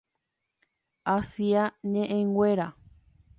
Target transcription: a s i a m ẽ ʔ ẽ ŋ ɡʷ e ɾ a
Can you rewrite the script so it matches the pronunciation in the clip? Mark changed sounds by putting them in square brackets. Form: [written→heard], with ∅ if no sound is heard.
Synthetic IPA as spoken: a s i a [m→ɲ] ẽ ʔ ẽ ŋ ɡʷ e ɾ a